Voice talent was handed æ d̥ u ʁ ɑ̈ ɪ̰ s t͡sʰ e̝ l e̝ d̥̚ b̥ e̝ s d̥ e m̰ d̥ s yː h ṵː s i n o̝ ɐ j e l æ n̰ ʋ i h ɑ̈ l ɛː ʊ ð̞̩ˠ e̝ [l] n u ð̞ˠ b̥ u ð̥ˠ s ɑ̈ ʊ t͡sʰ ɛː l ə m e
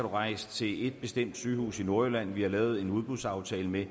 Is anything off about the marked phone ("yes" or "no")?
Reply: yes